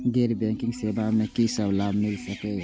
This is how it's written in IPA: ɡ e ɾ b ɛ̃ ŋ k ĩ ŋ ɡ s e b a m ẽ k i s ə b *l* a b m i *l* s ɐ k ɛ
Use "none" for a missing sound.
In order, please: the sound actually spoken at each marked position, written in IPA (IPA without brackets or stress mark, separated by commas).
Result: l, l